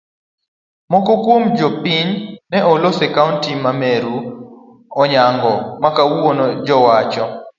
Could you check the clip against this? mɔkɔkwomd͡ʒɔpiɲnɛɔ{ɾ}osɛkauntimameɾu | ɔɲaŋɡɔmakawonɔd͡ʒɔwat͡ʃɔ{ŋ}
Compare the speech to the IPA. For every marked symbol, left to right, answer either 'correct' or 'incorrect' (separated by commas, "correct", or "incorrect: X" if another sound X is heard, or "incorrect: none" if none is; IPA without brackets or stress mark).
incorrect: l, incorrect: none